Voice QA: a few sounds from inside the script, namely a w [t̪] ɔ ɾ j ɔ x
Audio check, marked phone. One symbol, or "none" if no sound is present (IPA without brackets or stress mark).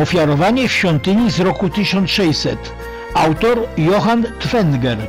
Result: t̪